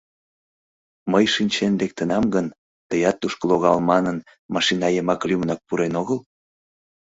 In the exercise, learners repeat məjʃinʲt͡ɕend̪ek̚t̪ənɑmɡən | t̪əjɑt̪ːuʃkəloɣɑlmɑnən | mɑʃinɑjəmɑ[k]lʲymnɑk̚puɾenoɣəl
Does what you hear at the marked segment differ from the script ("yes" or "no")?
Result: no